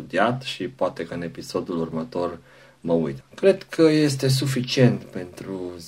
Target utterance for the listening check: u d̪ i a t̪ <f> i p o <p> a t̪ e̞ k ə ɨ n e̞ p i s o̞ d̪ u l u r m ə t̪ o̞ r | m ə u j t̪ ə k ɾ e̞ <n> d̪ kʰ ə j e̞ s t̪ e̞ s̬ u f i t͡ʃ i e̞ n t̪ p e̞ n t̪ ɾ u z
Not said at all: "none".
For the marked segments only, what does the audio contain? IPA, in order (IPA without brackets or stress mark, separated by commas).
ʃ, none, none